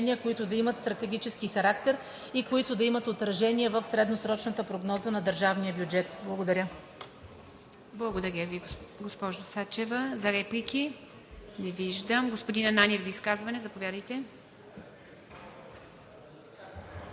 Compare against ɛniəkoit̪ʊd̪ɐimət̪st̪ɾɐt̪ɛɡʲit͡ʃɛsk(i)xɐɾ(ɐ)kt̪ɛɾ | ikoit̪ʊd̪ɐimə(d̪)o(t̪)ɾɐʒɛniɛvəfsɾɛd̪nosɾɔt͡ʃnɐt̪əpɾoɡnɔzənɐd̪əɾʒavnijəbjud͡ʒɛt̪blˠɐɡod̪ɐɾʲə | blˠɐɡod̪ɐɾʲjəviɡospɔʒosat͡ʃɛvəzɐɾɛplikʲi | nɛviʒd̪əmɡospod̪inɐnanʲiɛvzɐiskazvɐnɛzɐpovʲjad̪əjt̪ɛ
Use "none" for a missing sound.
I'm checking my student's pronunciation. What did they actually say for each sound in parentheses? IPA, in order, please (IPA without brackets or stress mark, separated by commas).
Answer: i, a, t̪, t̪